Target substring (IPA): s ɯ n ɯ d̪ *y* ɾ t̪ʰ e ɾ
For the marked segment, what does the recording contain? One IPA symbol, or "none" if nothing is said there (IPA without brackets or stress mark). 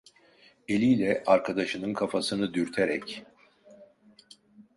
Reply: y